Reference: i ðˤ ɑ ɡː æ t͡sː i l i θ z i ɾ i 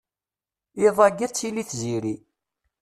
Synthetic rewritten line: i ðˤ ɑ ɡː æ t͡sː i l i θ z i ɾ i